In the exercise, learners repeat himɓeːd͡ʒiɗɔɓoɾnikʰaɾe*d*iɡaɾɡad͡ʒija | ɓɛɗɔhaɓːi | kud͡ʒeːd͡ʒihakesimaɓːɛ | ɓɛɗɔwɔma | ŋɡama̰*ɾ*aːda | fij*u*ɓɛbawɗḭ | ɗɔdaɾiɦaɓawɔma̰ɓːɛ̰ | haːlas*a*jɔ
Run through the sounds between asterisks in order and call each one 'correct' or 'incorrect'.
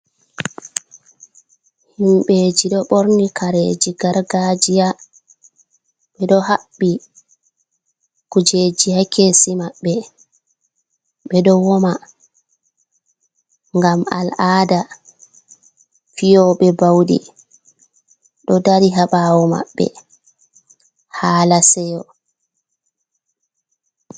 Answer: incorrect: d͡ʒ, incorrect: l, incorrect: ɔ, incorrect: ɛ

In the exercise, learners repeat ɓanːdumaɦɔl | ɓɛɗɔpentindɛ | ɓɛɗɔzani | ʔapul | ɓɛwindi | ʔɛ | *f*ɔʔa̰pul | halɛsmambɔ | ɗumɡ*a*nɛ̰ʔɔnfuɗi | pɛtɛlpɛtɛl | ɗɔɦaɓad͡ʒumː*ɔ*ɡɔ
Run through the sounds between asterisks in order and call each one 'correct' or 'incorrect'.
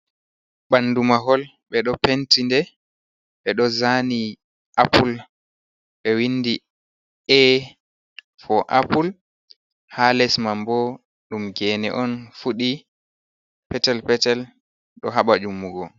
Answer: correct, incorrect: ɛ, incorrect: u

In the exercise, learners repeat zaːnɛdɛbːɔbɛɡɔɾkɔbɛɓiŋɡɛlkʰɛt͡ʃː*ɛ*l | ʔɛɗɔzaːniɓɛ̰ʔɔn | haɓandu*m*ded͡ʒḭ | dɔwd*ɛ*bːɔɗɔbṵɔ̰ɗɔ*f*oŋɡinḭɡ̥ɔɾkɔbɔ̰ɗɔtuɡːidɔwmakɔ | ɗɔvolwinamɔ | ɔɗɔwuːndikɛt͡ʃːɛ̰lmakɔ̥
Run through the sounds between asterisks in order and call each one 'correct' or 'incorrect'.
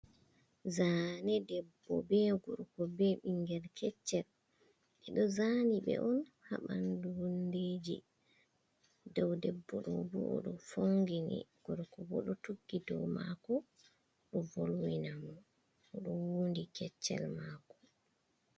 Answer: correct, incorrect: n, correct, correct

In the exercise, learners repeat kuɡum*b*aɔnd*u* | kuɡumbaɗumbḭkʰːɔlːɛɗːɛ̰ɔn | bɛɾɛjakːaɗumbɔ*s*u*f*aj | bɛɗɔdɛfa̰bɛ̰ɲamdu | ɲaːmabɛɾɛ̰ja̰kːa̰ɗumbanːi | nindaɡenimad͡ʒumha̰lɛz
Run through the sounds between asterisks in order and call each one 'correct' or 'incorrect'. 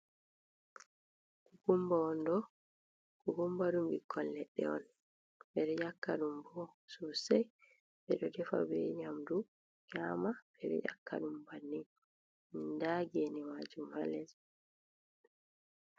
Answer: correct, incorrect: ɔ, correct, incorrect: s

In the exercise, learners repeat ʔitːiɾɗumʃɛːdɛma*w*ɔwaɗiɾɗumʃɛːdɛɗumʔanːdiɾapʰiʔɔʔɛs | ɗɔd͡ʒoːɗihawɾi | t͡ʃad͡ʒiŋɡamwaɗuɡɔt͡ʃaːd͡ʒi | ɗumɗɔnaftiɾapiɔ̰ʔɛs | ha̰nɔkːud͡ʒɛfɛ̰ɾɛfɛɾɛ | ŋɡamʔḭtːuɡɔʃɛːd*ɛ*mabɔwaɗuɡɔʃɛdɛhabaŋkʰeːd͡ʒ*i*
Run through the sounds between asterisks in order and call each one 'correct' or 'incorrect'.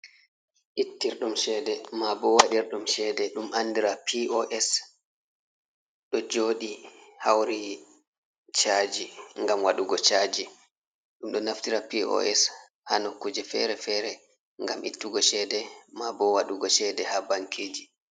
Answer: incorrect: b, correct, correct

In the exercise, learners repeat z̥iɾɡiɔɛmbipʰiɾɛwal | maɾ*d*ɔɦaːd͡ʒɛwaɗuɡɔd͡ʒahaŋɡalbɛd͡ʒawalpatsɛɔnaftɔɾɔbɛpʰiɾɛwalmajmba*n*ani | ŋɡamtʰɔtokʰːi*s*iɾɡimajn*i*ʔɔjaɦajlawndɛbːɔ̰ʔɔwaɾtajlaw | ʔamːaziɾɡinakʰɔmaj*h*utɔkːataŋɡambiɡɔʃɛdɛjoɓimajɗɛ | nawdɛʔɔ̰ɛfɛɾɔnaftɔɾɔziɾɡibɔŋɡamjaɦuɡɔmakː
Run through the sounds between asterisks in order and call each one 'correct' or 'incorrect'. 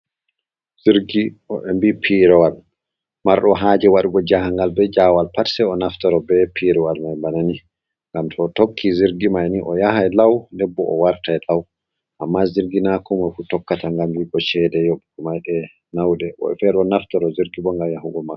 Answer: incorrect: ɗ, correct, incorrect: z, correct, incorrect: f

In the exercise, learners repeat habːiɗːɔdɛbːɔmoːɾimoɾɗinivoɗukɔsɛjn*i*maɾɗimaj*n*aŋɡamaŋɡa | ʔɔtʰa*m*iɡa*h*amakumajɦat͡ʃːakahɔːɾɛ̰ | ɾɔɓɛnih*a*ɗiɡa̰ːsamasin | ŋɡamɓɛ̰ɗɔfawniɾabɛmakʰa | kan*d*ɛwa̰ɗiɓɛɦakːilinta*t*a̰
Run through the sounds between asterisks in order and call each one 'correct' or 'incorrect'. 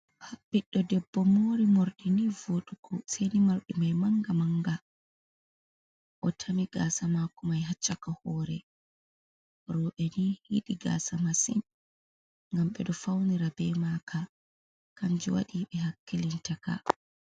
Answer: correct, incorrect: m, correct, incorrect: s, incorrect: i, incorrect: d͡ʒ, incorrect: k

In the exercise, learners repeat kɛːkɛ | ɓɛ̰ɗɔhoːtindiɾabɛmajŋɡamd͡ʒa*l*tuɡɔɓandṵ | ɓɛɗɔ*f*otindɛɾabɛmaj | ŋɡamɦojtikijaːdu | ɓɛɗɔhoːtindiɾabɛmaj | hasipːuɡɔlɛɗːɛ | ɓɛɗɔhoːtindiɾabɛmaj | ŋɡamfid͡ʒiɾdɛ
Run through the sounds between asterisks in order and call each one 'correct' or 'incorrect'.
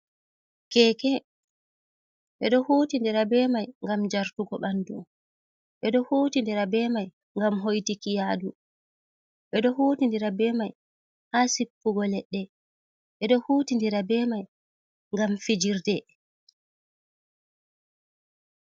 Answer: incorrect: ɾ, incorrect: h

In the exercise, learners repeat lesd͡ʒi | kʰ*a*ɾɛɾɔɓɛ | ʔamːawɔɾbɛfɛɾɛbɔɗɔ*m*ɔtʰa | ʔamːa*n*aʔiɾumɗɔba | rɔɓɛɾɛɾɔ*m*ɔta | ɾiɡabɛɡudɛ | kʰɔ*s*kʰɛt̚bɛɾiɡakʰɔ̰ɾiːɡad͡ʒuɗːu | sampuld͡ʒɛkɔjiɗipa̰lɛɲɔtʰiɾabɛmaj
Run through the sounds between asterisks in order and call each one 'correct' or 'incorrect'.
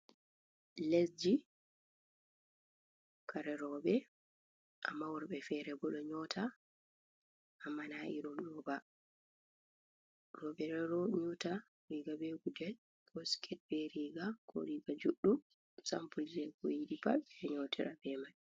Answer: correct, incorrect: ɲ, correct, incorrect: ɲ, correct

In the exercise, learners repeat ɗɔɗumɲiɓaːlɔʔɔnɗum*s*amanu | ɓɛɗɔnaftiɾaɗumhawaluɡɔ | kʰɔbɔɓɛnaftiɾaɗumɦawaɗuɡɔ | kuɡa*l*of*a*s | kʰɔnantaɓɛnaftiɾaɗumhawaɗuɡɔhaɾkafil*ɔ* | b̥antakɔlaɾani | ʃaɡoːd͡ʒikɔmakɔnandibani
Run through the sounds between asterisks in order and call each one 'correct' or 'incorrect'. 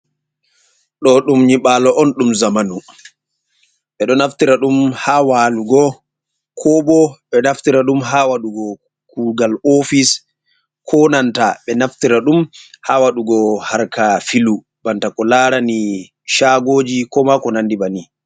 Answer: incorrect: z, correct, incorrect: i, incorrect: u

